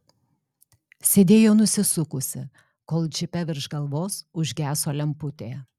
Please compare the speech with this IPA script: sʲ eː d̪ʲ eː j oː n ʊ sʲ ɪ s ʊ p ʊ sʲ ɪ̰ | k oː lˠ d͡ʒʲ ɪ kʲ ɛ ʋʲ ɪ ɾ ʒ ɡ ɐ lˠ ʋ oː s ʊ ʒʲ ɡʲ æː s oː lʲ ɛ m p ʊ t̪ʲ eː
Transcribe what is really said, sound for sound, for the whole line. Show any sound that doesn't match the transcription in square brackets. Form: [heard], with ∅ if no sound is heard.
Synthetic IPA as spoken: sʲ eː d̪ʲ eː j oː n ʊ sʲ ɪ s ʊ [k] ʊ sʲ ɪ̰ | k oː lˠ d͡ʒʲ ɪ [pʲ] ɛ ʋʲ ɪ ɾ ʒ ɡ ɐ lˠ ʋ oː s ʊ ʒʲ ɡʲ æː s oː lʲ ɛ m p ʊ t̪ʲ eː